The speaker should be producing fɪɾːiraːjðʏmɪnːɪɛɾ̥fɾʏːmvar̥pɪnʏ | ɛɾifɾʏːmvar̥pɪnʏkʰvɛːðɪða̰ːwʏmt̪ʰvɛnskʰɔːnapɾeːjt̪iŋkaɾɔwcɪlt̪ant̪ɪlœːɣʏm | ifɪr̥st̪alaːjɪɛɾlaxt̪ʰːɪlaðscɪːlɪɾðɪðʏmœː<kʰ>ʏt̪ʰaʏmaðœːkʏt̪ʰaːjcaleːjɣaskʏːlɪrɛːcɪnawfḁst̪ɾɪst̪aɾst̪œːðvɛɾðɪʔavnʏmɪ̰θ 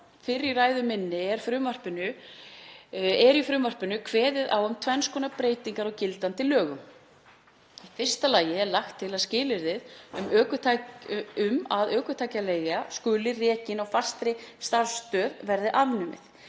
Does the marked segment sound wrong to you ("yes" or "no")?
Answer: yes